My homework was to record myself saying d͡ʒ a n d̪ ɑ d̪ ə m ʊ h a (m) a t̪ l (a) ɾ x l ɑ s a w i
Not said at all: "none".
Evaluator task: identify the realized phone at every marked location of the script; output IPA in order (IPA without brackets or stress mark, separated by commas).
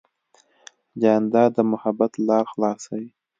b, ɑ